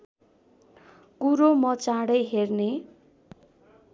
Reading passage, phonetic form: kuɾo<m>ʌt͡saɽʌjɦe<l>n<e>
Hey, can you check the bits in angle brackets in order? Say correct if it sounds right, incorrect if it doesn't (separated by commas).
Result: correct, incorrect, correct